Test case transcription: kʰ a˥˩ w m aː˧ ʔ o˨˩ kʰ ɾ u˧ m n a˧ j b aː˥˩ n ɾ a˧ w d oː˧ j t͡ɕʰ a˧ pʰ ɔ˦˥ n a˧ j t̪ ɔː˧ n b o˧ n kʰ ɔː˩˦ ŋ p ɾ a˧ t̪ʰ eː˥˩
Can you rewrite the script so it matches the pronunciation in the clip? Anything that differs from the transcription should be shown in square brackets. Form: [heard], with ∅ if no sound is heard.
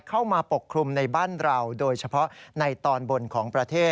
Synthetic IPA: kʰ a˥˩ w m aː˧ [p] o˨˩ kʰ ɾ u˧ m n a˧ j b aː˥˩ n ɾ a˧ w d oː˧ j t͡ɕʰ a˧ pʰ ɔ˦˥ n a˧ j t̪ ɔː˧ n b o˧ n kʰ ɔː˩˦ ŋ p ɾ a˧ t̪ʰ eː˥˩